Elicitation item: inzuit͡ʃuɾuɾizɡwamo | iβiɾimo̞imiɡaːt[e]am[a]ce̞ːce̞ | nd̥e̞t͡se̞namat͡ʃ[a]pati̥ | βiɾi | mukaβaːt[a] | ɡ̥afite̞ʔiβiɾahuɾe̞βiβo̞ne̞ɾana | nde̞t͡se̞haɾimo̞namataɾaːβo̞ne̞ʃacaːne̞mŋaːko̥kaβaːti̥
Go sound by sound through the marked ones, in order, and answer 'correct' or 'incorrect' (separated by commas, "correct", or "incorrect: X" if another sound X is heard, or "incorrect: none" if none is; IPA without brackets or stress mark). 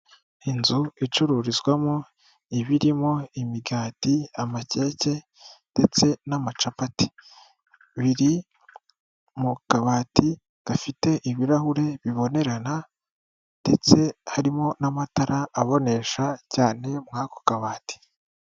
incorrect: i, correct, correct, incorrect: i